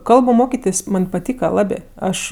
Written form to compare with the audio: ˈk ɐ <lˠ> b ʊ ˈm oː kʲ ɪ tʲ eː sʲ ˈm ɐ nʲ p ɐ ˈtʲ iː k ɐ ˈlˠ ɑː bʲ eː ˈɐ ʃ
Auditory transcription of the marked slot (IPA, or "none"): lˠ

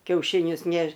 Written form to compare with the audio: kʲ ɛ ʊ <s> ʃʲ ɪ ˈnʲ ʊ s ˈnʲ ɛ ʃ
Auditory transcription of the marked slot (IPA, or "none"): none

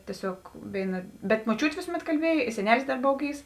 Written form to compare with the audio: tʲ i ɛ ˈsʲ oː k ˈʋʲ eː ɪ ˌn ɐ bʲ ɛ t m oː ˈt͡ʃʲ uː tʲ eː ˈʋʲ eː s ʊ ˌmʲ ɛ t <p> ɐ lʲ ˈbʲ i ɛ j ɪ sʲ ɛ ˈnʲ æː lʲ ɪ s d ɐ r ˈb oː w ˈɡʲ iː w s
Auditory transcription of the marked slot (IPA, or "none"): k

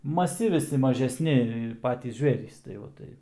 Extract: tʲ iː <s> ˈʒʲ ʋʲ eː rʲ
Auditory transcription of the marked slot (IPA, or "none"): s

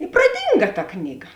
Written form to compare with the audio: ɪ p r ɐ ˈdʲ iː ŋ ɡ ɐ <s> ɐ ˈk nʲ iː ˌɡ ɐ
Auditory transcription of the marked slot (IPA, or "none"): t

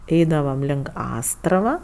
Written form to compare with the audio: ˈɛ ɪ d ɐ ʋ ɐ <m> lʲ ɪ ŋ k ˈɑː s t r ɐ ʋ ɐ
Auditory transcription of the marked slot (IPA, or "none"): m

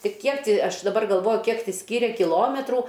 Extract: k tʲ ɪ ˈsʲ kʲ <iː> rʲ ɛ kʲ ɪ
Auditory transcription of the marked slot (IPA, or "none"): iː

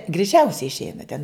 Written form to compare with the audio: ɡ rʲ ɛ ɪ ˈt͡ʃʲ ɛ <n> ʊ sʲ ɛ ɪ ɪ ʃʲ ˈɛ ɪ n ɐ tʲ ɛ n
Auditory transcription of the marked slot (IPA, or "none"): none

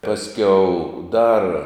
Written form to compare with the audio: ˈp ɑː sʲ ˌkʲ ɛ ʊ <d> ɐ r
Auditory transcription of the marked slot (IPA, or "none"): d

